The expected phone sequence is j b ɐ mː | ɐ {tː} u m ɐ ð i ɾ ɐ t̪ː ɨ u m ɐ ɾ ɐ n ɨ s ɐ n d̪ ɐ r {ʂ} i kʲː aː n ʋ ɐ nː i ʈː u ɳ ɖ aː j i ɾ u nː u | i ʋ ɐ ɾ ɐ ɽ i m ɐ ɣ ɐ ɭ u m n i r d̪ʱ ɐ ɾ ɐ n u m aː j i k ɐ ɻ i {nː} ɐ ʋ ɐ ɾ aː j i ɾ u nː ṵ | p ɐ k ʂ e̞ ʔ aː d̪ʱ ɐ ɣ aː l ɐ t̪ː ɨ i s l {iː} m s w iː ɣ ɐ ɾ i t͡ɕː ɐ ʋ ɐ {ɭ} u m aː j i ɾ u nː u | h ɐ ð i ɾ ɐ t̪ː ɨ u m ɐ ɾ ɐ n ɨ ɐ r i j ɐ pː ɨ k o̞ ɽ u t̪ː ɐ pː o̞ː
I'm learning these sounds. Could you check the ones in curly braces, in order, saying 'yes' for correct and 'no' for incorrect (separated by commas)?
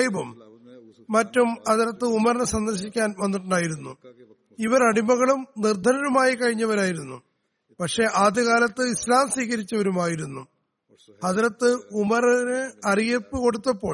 yes, no, no, no, no